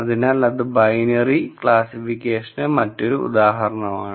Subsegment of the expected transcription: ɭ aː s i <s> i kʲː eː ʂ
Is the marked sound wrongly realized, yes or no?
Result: yes